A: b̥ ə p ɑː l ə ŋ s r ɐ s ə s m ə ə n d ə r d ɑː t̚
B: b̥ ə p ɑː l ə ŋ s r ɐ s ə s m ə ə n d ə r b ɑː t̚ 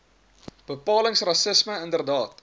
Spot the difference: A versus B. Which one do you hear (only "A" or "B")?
A